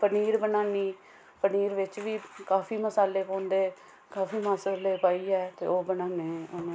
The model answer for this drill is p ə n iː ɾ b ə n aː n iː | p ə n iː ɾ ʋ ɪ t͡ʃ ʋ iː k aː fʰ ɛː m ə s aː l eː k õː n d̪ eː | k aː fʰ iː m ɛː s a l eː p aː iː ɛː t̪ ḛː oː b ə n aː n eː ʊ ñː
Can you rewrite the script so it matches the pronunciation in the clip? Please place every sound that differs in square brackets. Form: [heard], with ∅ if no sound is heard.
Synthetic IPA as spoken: p ə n iː ɾ b ə n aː n iː | p ə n iː ɾ ʋ ɪ t͡ʃ ʋ iː k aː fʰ [iː] m ə s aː l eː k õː n d̪ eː | k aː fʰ iː m [aː] s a l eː p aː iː ɛː t̪ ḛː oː b ə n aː n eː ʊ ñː